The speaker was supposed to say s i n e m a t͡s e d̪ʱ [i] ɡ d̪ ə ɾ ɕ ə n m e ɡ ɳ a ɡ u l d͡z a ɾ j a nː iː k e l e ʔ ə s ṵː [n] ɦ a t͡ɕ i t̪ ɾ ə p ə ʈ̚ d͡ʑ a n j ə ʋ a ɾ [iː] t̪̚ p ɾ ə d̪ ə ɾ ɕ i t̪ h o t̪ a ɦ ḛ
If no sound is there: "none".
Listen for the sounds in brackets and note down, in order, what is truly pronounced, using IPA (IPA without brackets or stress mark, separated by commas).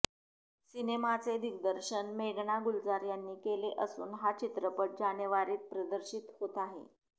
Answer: i, n, iː